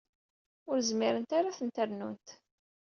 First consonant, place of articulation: alveolar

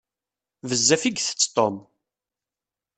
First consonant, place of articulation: labial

